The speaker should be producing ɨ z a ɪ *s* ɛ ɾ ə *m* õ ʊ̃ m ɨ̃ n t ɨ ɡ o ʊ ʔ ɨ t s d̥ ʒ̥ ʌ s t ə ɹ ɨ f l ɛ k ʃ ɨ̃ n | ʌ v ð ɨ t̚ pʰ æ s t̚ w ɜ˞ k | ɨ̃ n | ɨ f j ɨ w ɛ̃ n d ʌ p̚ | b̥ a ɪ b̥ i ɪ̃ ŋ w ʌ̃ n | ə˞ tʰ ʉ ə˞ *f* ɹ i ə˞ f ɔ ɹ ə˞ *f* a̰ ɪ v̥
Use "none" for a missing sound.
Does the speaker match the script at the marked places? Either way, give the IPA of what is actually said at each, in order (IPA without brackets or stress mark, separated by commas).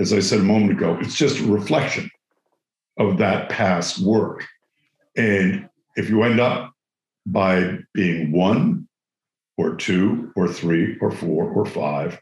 s, m, θ, f